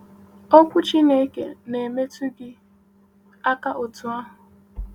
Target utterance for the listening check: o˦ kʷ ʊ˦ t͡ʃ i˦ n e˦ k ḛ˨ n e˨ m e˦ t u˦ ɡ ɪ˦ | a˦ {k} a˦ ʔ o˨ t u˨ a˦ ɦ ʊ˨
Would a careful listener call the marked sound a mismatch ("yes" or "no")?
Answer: no